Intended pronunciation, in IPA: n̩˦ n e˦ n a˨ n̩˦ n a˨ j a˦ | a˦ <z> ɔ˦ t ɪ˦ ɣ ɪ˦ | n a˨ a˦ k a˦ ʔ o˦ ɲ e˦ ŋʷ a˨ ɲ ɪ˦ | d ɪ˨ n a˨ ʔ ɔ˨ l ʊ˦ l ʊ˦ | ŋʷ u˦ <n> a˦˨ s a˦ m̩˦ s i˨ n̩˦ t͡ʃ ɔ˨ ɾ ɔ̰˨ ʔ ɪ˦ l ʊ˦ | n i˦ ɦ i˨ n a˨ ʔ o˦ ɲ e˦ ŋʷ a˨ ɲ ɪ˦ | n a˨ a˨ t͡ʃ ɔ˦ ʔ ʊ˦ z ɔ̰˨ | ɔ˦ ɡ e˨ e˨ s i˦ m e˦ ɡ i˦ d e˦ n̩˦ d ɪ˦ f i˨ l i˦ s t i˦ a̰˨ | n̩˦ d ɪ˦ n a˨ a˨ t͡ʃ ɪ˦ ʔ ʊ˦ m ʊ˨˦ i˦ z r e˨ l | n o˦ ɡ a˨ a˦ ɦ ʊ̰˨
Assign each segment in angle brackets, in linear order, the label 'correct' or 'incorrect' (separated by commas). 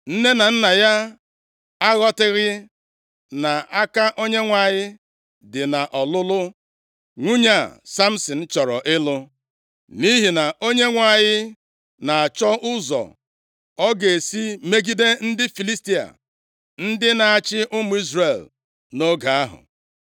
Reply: incorrect, incorrect